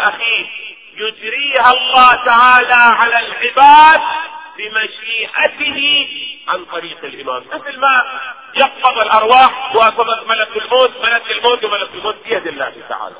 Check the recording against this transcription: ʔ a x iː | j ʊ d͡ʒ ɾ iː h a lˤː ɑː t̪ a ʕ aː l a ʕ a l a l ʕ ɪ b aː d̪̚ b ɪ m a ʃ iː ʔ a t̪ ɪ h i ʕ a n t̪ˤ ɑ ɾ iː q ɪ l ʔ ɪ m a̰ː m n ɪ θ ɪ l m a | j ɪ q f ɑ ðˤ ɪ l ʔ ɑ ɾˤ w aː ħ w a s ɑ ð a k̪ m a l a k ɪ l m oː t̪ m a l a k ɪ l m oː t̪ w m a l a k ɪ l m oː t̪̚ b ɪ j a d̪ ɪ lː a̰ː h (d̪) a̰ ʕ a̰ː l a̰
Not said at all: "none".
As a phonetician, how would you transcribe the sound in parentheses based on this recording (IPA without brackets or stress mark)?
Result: t̪